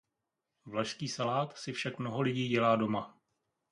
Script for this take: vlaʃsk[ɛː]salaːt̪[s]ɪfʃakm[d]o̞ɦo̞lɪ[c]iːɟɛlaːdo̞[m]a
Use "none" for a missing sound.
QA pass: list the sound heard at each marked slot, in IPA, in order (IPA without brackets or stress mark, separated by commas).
iː, s, n, ɟ, m